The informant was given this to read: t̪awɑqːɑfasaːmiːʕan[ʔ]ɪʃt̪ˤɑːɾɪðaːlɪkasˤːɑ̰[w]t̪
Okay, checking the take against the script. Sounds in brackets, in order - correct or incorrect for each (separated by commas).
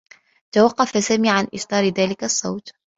correct, correct